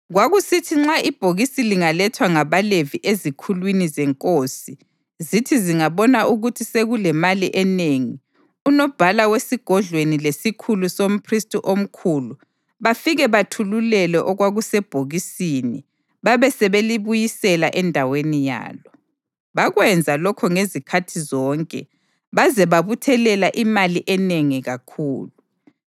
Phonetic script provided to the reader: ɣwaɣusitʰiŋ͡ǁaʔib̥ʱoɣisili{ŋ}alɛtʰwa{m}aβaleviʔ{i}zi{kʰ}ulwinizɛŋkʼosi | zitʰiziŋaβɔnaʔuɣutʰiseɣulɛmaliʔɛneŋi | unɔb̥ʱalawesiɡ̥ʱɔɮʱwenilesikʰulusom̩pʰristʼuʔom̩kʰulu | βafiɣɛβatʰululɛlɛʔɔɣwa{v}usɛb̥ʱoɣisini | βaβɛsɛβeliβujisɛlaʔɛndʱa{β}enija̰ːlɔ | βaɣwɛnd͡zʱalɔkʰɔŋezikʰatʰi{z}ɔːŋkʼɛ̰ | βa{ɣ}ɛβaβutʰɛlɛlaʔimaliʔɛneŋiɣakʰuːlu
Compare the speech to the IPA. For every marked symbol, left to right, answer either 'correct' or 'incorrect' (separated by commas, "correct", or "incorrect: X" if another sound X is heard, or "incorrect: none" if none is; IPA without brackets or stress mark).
correct, incorrect: ŋ, incorrect: e, correct, incorrect: ɣ, incorrect: w, correct, incorrect: z